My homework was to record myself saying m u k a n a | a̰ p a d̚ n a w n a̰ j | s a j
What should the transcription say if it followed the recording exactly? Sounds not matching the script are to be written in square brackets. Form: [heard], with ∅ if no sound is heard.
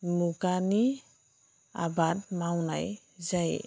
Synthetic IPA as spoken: m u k a n [i] | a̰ [b] a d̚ [m] a w n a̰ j | [z] a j